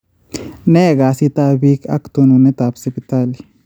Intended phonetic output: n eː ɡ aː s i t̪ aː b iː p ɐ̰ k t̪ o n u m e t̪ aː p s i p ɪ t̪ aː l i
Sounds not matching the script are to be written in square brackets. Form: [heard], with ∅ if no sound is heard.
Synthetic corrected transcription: n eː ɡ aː s i t̪ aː b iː [k] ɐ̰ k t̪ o n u [n] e t̪ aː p s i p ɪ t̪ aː l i

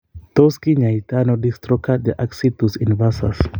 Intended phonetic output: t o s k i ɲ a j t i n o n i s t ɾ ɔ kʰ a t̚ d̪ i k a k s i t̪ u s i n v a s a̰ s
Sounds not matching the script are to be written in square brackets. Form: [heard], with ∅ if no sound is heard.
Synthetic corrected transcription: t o s k i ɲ a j t [a] n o [d] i s t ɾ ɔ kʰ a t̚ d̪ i [ʔ] a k s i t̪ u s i n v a s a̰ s

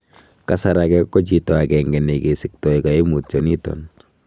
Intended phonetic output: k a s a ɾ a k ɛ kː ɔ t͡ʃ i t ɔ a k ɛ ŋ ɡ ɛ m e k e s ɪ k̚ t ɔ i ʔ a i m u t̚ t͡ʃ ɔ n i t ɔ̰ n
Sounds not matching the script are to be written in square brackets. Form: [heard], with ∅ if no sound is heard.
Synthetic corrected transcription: k a s a ɾ a k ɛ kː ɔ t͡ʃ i t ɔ a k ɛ ŋ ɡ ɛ [n] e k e s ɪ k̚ t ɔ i [k] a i m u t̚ t͡ʃ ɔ n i t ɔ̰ n

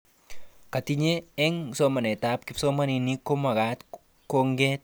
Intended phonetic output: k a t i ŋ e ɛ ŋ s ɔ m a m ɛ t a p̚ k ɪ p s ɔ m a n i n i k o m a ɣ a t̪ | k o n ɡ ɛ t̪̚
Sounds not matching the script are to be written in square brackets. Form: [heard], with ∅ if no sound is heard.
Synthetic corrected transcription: k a t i [ɲ] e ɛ ŋ s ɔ m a [n] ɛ t a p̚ k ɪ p s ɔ m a n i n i k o m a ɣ a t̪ | k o [ŋ] ɡ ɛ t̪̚

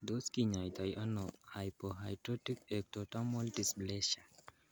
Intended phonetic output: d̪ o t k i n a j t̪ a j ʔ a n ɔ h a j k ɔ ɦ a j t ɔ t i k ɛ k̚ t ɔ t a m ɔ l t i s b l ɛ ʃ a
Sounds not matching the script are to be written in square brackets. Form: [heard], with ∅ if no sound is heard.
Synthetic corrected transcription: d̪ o [s] k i [ɲ] a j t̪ a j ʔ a n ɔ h a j [p] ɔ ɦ a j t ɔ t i k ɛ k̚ t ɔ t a m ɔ l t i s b l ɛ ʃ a

